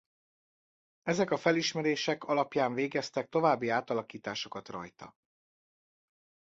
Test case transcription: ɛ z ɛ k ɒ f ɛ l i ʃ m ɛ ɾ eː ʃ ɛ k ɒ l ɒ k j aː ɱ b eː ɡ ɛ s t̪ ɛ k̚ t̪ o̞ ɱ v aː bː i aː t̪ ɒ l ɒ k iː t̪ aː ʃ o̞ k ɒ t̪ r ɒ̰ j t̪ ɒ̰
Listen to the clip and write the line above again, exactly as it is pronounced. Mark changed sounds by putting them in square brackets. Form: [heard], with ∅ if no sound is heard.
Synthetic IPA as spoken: ɛ z ɛ k ɒ f ɛ l i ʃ m ɛ ɾ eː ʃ ɛ k ɒ l ɒ [p] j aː ɱ [v] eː ɡ ɛ s t̪ ɛ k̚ t̪ o̞ [∅] v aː bː i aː t̪ ɒ l ɒ k iː t̪ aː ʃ o̞ k ɒ t̪ r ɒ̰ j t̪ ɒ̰